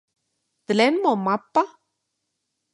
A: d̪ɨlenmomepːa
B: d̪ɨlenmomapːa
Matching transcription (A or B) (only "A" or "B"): B